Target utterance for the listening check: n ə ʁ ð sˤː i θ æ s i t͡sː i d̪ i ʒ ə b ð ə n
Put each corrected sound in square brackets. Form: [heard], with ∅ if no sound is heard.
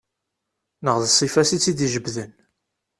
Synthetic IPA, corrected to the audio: n ə ʁ ð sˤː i [f] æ s i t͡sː i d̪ i ʒ ə b ð ə n